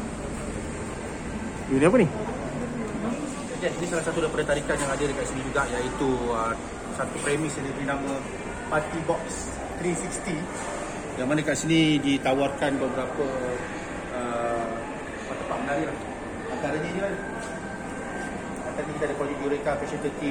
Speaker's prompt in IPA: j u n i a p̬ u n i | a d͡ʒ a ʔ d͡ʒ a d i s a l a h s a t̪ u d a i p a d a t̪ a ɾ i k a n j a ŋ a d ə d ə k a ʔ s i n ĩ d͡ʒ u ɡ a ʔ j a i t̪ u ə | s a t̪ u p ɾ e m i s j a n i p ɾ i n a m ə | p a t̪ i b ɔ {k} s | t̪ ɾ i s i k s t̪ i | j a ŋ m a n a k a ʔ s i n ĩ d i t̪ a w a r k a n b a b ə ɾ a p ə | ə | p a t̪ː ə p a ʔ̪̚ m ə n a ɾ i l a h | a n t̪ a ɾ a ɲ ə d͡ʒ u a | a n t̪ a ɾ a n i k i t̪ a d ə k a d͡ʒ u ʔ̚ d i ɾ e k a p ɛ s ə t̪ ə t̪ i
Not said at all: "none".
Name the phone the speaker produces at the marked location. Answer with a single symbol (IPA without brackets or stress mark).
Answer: k